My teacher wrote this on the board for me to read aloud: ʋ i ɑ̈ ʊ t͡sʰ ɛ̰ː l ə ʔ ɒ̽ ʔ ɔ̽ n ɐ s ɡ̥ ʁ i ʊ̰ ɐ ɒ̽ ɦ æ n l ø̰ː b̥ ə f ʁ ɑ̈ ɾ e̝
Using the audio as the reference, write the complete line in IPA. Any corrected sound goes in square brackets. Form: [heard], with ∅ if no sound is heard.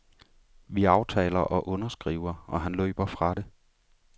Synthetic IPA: ʋ i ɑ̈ ʊ t͡sʰ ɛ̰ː l [ɐ] ʔ ɒ̽ ʔ ɔ̽ n ɐ s ɡ̥ ʁ i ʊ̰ ɐ ɒ̽ ɦ æ n l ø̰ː b̥ [ɐ] f ʁ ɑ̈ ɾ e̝